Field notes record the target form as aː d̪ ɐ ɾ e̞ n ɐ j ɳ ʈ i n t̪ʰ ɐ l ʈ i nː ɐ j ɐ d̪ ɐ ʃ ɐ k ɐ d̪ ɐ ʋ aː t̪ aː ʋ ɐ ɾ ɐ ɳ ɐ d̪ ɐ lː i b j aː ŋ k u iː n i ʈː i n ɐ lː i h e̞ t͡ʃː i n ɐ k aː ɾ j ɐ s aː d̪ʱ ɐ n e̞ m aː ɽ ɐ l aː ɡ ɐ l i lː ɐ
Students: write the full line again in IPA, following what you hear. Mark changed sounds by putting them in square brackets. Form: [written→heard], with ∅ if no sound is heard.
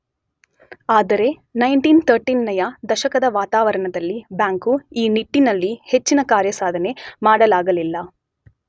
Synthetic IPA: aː d̪ ɐ ɾ e̞ n ɐ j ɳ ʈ i n t̪ʰ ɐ [l→ɾ] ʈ i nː ɐ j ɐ d̪ ɐ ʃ ɐ k ɐ d̪ ɐ ʋ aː t̪ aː ʋ ɐ ɾ ɐ ɳ ɐ d̪ ɐ lː i b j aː ŋ k u iː n i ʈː i n ɐ lː i h e̞ t͡ʃː i n ɐ k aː ɾ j ɐ s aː d̪ʱ ɐ n e̞ m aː ɽ ɐ l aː ɡ ɐ l i lː ɐ